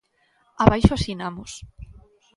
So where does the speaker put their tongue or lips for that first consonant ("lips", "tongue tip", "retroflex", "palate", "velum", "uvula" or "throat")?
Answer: lips